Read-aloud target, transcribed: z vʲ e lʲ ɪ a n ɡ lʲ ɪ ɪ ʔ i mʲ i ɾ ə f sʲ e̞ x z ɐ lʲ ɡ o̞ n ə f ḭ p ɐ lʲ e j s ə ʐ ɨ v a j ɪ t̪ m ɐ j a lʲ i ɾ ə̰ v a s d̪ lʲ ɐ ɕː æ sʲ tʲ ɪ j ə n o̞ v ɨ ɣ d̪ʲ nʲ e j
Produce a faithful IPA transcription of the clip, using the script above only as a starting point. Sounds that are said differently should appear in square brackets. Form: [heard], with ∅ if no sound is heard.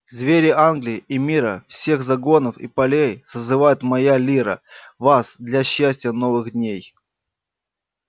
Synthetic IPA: z vʲ e [ɾʲ] ɪ a n ɡ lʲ ɪ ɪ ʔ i mʲ i ɾ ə f sʲ e̞ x z ɐ [∅] ɡ o̞ n ə f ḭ p ɐ lʲ e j s ə [z] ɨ v a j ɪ t̪ m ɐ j a lʲ i ɾ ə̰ v a s d̪ lʲ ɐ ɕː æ sʲ tʲ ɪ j ə n o̞ v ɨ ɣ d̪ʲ nʲ e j

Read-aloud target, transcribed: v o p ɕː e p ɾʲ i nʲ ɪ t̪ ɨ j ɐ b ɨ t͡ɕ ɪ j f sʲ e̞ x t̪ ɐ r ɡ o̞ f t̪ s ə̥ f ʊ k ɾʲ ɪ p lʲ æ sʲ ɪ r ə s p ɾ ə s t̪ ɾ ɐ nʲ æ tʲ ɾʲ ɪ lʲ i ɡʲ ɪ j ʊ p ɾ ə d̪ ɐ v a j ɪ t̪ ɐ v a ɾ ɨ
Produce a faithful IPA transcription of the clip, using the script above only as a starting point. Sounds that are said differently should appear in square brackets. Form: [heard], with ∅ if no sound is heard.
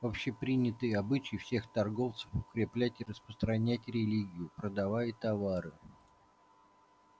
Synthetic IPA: v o p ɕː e p ɾʲ i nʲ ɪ t̪ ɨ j ɐ b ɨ t͡ɕ ɪ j f sʲ e̞ x t̪ ɐ r ɡ o̞ f t̪ s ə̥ f ʊ k ɾʲ ɪ p lʲ æ [tʲ] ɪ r ə s p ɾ ə s t̪ ɾ ɐ nʲ æ tʲ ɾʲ ɪ lʲ i ɡʲ ɪ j ʊ p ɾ ə d̪ ɐ v a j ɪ t̪ ɐ v a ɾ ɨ

